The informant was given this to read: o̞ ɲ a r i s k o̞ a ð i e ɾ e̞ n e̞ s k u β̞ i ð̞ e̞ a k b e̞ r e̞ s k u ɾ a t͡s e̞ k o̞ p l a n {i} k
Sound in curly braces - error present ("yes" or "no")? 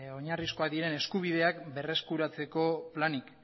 no